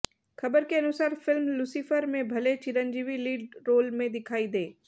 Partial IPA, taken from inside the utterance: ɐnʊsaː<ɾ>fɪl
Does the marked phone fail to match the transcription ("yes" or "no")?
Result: no